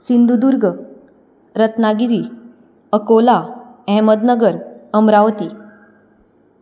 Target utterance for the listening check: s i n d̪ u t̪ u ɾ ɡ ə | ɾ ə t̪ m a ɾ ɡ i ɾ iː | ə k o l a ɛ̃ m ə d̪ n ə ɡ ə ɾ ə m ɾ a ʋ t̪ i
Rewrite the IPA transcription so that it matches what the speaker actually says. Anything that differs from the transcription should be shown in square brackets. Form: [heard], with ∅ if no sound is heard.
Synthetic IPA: s i n d̪ u [d̪] u ɾ ɡ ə | ɾ ə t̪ [n] a [∅] ɡ i ɾ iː | ə k o l a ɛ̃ m ə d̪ n ə ɡ ə ɾ ə m ɾ a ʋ t̪ i